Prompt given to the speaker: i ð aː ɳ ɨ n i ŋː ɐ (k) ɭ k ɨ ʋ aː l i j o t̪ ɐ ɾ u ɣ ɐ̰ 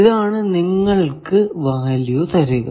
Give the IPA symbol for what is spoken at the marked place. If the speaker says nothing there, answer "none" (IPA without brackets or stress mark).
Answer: none